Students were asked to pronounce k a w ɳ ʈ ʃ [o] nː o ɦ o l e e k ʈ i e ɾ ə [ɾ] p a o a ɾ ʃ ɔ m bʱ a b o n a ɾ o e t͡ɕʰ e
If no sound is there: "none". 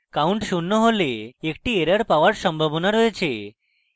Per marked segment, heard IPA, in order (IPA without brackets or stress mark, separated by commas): u, ɾ